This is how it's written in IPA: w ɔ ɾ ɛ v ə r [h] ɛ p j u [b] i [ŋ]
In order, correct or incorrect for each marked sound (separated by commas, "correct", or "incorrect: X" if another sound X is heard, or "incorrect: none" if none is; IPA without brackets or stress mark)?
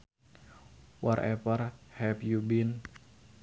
correct, correct, incorrect: n